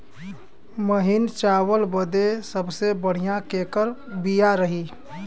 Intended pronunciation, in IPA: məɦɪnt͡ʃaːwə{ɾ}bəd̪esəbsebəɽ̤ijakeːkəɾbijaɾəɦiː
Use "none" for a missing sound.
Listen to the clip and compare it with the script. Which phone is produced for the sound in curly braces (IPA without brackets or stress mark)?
l